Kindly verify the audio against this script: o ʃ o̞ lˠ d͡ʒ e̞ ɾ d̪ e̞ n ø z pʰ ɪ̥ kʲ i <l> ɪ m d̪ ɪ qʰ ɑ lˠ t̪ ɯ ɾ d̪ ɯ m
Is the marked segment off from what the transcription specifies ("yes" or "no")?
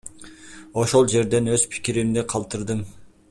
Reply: yes